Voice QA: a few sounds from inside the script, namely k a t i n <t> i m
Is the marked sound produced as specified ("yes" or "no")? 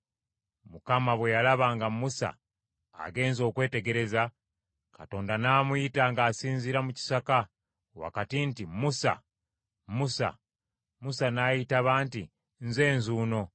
yes